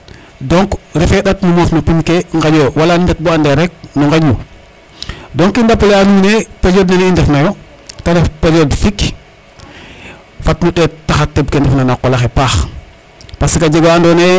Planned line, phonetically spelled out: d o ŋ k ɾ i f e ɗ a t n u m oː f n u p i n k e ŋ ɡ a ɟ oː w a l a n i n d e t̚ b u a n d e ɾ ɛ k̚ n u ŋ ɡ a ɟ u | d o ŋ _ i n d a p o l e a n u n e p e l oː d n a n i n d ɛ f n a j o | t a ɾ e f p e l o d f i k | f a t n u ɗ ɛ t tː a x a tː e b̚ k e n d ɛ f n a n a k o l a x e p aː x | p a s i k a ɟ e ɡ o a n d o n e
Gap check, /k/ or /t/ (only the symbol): k